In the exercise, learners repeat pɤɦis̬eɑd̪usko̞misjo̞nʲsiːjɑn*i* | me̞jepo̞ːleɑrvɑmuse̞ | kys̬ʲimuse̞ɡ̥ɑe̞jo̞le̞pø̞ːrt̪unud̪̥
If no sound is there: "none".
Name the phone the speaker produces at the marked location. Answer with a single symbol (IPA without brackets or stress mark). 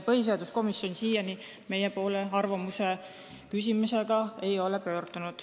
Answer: i